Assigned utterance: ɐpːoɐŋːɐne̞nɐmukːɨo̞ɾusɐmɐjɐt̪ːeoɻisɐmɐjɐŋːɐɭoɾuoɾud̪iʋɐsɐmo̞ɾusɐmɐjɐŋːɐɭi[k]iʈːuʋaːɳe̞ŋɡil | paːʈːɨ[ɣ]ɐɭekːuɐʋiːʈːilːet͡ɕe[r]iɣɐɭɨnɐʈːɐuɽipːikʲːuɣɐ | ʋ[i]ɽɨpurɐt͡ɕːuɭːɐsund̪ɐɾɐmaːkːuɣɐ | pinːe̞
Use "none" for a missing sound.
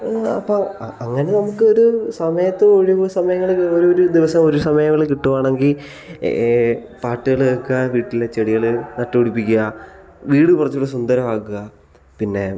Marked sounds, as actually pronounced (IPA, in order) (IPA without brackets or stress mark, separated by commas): k, ɣ, ɽ, iː